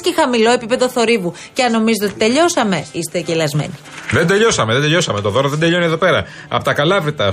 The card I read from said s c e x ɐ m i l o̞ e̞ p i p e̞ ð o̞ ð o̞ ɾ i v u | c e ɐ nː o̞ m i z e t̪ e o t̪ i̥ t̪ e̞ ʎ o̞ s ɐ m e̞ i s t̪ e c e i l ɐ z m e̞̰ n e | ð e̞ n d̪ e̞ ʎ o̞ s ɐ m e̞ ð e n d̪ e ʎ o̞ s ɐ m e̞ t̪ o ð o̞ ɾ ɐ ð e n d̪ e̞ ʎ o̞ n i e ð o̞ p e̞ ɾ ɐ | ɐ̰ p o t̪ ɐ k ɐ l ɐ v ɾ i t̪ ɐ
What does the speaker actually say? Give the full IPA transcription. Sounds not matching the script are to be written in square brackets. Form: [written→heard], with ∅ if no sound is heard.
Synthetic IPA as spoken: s c e x ɐ m i l o̞ e̞ p i p e̞ ð o̞ [ð→θ] o̞ ɾ i v u | c e ɐ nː o̞ m i z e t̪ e o t̪ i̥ t̪ e̞ ʎ o̞ s ɐ m e̞ i s t̪ e c e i l ɐ z m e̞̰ n [e→i] | ð e̞ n d̪ e̞ ʎ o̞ s ɐ m e̞ ð e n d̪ e ʎ o̞ s ɐ m e̞ t̪ o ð o̞ ɾ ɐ ð e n d̪ e̞ ʎ o̞ n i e ð o̞ p e̞ ɾ ɐ | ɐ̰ p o t̪ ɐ k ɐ l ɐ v ɾ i t̪ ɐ